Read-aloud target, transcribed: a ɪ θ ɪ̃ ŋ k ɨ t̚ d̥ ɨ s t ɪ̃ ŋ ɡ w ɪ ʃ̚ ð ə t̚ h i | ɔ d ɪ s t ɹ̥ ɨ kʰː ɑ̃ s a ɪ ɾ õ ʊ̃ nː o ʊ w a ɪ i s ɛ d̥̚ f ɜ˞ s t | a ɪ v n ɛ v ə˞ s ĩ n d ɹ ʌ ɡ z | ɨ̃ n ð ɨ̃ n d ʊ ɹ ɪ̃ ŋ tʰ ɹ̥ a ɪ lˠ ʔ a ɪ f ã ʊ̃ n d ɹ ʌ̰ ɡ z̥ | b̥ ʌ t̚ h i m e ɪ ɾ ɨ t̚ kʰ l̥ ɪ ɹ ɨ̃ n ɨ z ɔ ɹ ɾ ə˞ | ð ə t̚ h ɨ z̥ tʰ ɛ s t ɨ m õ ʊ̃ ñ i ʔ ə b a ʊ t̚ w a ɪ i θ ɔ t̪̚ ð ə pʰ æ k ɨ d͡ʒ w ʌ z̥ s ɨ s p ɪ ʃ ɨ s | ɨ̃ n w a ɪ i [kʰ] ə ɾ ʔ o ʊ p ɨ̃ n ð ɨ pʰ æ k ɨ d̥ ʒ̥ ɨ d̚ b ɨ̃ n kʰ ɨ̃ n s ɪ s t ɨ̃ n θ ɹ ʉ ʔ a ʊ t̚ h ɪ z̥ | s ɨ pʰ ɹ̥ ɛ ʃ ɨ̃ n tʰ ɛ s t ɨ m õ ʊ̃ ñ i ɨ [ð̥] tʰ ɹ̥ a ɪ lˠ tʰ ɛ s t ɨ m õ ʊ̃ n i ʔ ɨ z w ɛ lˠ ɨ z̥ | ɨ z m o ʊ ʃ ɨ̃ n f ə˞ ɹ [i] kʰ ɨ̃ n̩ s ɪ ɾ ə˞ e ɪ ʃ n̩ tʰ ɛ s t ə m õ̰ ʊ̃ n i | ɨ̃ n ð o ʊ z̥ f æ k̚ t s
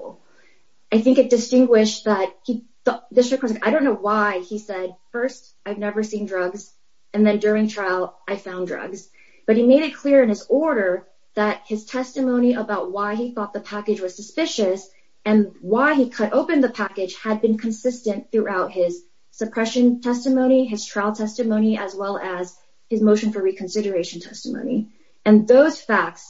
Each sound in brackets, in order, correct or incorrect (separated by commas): correct, incorrect, correct